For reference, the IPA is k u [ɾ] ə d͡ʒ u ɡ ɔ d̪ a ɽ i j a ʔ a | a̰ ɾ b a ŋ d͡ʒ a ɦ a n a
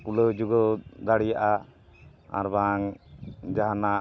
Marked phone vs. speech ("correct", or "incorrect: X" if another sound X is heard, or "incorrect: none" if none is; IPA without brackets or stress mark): incorrect: l